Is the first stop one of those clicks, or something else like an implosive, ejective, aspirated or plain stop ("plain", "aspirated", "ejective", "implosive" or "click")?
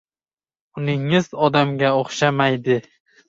plain